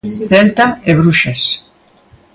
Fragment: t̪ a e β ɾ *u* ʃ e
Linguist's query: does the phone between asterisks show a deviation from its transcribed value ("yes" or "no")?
no